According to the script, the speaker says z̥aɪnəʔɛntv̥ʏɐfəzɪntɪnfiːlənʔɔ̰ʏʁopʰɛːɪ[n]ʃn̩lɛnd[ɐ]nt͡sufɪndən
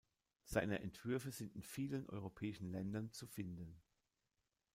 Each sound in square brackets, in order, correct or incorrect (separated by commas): incorrect, correct